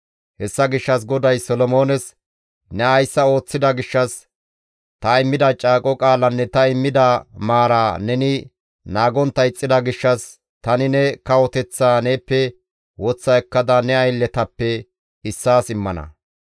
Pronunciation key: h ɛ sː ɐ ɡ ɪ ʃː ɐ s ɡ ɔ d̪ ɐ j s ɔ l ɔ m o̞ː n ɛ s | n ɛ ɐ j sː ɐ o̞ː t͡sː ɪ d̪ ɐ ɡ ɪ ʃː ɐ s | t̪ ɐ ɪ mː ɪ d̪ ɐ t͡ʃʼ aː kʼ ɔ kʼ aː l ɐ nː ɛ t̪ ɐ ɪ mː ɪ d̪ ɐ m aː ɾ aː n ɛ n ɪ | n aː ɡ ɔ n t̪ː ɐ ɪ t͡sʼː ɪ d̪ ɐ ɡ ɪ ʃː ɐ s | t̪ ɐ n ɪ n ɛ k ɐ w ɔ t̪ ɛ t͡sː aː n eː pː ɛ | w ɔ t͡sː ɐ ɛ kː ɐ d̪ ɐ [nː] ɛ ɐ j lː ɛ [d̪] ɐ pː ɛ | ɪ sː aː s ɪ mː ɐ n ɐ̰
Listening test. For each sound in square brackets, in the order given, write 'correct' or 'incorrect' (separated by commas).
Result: incorrect, incorrect